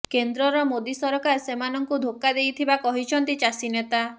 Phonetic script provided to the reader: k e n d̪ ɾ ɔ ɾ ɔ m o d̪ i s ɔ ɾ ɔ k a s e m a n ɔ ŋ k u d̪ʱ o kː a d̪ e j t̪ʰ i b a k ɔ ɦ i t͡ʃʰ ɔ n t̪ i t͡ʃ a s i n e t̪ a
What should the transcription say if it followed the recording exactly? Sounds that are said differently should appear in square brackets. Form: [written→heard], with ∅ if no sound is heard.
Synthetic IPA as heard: k e n d̪ ɾ ɔ ɾ ɔ m o d̪ i s ɔ ɾ ɔ k a s e m a n ɔ ŋ k u d̪ʱ o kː a d̪ e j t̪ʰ i b a k ɔ ɦ i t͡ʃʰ ɔ n t̪ i t͡ʃ a s i n e t̪ a